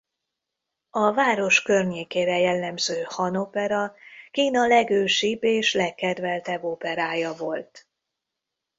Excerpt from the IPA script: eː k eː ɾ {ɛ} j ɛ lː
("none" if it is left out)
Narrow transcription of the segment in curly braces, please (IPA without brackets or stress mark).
ɛ